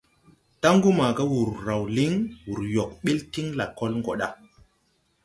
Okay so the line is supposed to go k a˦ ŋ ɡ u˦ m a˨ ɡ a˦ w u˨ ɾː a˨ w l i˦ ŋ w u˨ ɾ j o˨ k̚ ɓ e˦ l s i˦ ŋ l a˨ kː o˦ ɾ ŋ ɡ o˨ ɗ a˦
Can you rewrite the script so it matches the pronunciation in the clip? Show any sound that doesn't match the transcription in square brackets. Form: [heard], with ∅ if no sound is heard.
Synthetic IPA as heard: [t] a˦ ŋ ɡ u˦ m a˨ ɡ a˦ w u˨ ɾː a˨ w l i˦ ŋ w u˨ ɾ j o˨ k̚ ɓ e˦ l [t] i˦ ŋ l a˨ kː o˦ [l] ŋ ɡ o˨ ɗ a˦